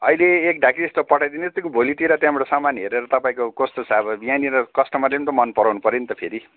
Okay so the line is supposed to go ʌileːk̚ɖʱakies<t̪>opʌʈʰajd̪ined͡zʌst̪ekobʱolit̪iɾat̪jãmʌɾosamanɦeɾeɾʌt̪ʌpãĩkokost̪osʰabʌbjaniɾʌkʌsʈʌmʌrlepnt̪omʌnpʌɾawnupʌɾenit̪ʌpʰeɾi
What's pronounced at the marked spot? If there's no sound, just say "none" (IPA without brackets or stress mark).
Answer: t̪